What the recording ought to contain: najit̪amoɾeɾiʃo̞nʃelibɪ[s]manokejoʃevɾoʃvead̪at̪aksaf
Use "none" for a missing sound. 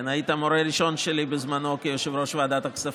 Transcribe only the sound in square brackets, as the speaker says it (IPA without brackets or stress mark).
z